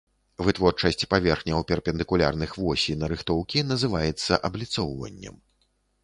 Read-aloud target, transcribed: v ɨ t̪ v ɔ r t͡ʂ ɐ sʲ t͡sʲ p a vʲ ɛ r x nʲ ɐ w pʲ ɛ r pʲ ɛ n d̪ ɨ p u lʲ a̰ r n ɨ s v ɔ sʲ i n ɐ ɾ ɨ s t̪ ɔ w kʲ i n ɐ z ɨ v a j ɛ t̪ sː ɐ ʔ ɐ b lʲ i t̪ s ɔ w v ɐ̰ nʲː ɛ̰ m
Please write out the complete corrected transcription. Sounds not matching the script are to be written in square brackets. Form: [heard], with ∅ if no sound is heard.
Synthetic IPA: v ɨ t̪ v ɔ r t͡ʂ ɐ sʲ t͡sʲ p a vʲ ɛ r x nʲ ɐ w pʲ ɛ r pʲ ɛ n d̪ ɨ [k] u lʲ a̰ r n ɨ [x] v ɔ sʲ i n ɐ ɾ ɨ [x] t̪ ɔ w kʲ i n ɐ z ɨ v a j ɛ t̪ sː ɐ ʔ ɐ b lʲ i t̪ s ɔ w v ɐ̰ nʲː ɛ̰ m